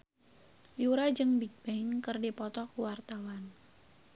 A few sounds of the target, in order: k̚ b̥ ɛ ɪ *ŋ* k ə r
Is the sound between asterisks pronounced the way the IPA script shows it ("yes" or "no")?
yes